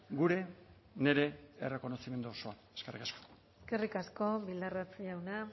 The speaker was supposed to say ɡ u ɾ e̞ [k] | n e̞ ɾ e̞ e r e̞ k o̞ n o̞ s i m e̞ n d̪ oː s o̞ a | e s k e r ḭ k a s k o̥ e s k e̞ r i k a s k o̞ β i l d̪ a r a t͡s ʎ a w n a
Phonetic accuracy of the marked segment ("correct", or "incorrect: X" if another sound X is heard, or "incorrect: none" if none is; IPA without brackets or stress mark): incorrect: none